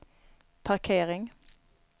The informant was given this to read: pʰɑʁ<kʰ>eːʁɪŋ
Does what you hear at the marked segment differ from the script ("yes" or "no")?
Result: no